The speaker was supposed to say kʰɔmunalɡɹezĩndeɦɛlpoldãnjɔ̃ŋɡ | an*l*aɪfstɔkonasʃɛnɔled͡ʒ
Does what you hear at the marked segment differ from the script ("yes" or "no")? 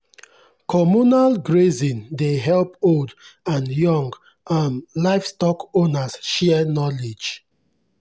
no